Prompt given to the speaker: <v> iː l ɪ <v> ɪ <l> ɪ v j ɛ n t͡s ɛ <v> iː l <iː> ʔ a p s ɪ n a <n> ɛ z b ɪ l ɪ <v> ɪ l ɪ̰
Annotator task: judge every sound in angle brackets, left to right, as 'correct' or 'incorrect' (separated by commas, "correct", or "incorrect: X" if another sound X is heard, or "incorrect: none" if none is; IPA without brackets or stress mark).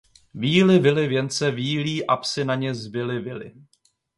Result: correct, correct, correct, correct, correct, incorrect: ɲ, correct